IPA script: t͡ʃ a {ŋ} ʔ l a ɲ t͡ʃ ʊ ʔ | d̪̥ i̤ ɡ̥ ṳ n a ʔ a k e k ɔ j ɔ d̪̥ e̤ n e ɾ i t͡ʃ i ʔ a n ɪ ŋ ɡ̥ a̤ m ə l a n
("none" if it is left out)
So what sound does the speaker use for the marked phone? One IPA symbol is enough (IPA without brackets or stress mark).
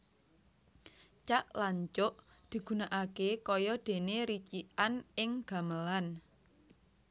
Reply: none